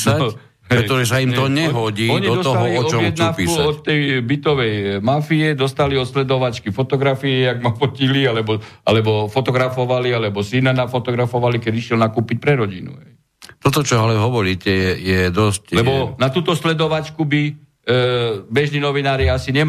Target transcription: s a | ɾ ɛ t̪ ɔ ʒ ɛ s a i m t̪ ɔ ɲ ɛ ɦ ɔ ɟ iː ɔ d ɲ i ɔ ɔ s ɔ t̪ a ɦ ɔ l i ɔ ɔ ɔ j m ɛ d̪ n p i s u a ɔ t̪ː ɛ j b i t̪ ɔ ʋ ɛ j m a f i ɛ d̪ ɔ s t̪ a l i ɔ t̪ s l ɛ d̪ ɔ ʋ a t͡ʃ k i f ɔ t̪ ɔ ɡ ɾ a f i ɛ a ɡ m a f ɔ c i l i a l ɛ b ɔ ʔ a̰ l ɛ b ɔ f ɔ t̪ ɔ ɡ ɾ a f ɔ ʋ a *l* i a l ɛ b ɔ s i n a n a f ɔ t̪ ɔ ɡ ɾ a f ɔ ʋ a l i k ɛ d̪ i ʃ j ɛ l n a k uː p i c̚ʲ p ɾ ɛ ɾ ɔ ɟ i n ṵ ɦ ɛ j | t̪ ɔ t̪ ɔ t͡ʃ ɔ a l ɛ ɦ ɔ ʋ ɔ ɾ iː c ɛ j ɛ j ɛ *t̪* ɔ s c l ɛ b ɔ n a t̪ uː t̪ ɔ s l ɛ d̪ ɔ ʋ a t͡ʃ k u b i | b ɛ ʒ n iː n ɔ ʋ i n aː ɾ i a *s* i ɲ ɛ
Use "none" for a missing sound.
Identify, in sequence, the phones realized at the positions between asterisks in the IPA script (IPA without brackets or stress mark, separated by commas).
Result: l, d̪, s